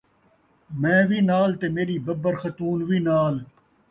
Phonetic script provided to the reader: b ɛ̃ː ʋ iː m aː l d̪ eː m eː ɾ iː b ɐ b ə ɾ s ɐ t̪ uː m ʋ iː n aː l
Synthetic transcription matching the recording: m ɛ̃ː ʋ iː n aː l t̪ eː m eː ɾ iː b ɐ b ə ɾ x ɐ t̪ uː n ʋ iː n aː l